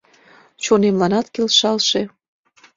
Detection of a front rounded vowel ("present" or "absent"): absent